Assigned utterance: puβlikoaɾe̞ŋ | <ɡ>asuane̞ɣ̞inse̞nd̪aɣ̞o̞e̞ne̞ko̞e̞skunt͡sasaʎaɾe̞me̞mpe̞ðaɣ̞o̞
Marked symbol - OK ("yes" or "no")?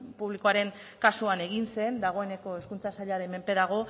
no